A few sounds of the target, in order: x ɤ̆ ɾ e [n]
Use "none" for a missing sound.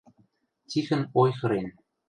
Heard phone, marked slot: n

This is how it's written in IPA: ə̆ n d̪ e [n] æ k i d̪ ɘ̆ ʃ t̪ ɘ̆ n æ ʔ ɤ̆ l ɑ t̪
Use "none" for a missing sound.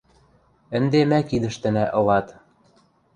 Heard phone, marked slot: m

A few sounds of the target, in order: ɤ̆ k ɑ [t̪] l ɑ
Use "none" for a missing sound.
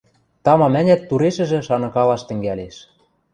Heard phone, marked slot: none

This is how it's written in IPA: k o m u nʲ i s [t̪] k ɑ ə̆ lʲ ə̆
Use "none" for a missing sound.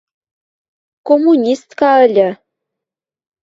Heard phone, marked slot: t̪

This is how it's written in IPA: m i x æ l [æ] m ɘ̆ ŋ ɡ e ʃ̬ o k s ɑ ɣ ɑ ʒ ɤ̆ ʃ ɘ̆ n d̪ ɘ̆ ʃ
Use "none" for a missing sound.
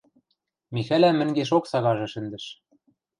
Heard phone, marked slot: æ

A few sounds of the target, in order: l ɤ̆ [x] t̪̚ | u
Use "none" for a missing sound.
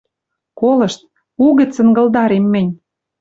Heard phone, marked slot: ʃ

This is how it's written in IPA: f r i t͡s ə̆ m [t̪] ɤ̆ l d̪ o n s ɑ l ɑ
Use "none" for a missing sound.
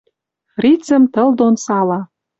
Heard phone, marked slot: t̪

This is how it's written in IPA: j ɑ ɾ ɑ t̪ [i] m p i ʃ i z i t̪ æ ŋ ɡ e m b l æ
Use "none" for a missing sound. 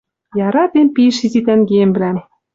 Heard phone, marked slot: e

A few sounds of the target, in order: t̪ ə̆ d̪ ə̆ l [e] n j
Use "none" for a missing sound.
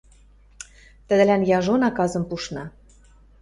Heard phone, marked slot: æ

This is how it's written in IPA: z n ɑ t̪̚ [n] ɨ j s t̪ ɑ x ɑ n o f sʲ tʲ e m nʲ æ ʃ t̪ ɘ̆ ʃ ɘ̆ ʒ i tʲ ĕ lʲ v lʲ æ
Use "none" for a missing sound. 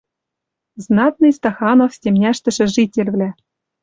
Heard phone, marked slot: n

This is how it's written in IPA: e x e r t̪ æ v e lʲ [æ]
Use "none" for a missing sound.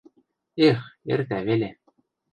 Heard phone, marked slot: e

